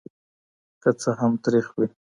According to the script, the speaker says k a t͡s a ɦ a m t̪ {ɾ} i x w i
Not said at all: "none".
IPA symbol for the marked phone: ɾ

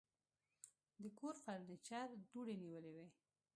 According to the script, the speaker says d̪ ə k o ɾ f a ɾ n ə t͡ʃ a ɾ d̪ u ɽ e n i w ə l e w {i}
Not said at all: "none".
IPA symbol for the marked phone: e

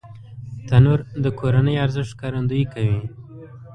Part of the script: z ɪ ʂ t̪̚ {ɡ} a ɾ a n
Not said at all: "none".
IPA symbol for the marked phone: k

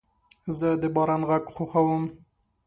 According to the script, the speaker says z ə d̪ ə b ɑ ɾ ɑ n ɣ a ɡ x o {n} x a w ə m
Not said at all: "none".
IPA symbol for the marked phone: none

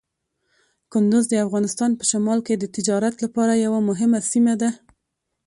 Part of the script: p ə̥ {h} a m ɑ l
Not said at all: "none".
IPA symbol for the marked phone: ʃ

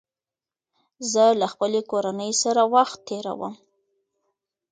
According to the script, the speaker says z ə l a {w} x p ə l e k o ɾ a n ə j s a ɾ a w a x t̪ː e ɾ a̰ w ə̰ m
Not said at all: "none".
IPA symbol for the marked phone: none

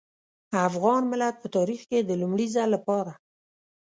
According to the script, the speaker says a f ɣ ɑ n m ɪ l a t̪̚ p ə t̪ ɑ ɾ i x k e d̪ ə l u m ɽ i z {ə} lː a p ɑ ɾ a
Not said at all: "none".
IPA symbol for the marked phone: a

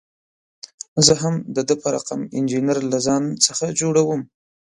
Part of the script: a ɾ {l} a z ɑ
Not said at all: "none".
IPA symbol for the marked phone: l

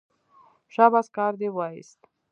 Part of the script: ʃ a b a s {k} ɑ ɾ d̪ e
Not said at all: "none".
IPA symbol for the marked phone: k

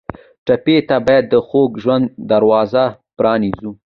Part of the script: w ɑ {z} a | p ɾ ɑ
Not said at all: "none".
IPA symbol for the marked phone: z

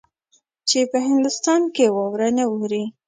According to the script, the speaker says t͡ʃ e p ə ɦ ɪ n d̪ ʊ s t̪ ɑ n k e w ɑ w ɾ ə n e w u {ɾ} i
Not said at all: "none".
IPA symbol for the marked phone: ɾ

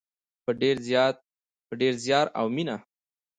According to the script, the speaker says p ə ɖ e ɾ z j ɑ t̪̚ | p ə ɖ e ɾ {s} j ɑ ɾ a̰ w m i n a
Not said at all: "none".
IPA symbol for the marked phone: z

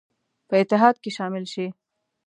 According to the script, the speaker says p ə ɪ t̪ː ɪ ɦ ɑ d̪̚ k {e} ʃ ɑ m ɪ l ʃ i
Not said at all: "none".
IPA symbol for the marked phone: e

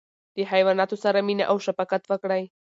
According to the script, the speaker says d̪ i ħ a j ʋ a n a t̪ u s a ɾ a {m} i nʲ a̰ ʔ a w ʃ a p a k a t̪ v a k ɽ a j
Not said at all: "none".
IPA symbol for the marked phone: m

